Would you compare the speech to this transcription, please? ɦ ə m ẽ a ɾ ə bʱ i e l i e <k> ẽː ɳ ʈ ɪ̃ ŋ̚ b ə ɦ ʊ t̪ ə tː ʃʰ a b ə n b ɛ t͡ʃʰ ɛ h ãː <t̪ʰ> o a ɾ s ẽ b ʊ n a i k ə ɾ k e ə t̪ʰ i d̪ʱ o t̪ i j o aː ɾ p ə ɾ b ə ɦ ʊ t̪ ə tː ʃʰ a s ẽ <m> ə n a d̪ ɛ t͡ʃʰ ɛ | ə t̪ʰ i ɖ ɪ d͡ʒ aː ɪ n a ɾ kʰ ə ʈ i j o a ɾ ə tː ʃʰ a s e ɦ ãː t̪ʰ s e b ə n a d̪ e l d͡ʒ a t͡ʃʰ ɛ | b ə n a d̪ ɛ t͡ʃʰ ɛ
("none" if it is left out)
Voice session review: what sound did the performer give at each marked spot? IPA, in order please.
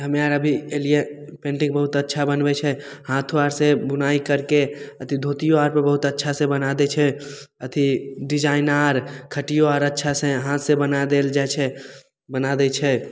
p, t̪ʰ, b

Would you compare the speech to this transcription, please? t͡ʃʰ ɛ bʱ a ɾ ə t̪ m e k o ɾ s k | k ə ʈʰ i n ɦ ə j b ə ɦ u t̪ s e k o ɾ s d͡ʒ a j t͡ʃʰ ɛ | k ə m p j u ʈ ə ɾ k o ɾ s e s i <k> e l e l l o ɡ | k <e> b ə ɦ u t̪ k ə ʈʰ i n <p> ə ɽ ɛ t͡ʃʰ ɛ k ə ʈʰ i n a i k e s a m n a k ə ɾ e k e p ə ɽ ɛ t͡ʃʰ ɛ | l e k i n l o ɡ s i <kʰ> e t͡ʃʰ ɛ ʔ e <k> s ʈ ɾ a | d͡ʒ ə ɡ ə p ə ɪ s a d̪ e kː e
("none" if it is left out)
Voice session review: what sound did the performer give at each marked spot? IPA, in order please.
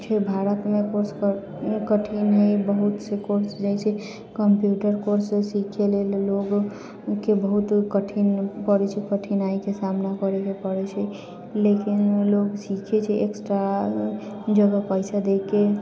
kʰ, e, p, kʰ, k

